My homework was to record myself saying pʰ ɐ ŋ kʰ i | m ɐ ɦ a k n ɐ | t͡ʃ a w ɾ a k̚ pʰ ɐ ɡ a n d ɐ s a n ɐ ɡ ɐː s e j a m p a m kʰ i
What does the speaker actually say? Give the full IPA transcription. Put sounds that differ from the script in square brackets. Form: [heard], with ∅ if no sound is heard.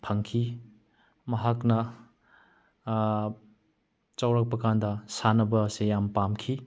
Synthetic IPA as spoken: pʰ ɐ ŋ kʰ i | m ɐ ɦ a k n ɐ | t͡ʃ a w ɾ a k̚ [p] ɐ [k] a n d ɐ s a n ɐ [b] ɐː s e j a m p a m kʰ i

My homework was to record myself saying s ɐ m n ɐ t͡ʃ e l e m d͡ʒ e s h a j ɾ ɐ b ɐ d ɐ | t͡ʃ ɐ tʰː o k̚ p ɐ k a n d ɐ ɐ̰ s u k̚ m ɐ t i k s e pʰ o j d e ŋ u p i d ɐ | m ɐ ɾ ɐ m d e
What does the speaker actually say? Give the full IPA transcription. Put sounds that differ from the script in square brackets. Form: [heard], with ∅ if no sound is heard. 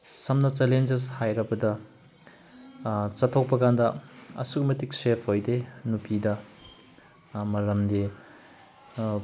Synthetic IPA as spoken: s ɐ m n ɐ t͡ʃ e l e [n] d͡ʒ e s h a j ɾ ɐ b ɐ d ɐ | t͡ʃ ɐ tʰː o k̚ p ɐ k a n d ɐ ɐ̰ s u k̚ m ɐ t i k s e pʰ o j d e [n] u p i d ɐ | m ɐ ɾ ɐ m d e

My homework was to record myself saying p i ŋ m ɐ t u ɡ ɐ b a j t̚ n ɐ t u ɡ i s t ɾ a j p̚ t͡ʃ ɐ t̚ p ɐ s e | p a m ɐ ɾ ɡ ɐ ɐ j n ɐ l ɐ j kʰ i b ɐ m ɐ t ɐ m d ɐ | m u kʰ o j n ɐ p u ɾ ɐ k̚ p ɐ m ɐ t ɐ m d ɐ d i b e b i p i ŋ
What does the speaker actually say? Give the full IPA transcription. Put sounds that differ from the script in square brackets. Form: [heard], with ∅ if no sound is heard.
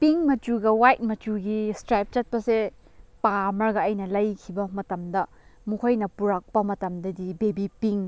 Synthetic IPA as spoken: p i ŋ m ɐ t u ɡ ɐ [w] a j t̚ [m] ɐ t u ɡ i s t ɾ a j p̚ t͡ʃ ɐ t̚ p ɐ s e | p a m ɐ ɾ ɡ ɐ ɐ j n ɐ l ɐ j kʰ i b ɐ m ɐ t ɐ m d ɐ | m u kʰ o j n ɐ p u ɾ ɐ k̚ p ɐ m ɐ t ɐ m d ɐ d i b e b i p i ŋ

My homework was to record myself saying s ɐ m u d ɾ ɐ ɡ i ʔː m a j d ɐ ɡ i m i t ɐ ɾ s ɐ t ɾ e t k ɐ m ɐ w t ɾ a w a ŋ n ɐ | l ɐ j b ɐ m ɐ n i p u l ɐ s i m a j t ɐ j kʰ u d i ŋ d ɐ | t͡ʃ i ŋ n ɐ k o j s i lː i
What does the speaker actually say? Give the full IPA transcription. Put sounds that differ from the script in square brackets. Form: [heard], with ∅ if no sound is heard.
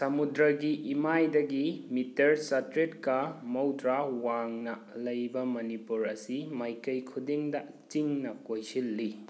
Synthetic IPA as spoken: s ɐ m u d ɾ ɐ ɡ i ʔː m a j d ɐ ɡ i m i t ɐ ɾ s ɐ t ɾ e t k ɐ m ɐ w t ɾ a w a ŋ n ɐ | l ɐ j b ɐ m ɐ n i p u [ɾ] ɐ s i m a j [k] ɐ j kʰ u d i ŋ d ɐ | t͡ʃ i ŋ n ɐ k o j s i lː i

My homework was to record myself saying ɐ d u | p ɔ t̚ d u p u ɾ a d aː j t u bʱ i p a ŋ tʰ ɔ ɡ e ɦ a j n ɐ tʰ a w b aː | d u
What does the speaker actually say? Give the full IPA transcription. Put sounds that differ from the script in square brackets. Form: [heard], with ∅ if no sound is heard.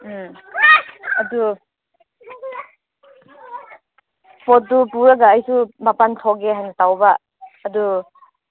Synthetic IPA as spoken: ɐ d u | p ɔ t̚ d u p u ɾ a [ɡ] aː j [s] u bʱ [a] p a [n] tʰ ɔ ɡ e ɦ a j n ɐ [t] a w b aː | d u

